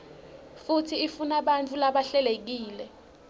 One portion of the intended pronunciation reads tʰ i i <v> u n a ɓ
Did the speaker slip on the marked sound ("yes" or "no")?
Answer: yes